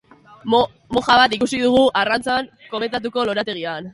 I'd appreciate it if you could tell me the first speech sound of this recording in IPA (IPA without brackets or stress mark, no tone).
m